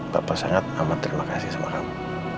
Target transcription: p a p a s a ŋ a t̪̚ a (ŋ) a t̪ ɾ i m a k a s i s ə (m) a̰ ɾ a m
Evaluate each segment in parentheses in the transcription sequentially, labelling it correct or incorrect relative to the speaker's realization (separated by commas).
incorrect, correct